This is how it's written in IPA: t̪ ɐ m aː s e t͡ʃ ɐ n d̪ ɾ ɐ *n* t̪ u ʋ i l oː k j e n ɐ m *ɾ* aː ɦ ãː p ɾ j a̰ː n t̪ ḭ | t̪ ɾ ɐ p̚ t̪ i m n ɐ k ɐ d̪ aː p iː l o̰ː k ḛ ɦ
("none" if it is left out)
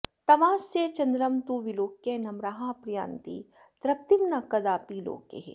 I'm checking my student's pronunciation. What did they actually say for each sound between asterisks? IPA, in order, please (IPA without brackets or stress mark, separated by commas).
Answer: m, ɾ